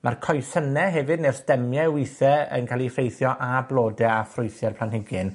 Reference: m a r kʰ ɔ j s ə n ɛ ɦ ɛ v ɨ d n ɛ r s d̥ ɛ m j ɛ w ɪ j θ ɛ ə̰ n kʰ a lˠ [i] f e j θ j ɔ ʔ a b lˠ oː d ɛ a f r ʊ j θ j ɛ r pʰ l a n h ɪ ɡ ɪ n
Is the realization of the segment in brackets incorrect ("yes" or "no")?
no